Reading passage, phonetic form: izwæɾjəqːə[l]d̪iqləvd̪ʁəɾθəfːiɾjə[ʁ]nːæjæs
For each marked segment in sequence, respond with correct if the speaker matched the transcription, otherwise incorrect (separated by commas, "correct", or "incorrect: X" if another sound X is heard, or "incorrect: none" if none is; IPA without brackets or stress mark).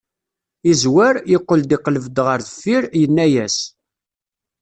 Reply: correct, incorrect: none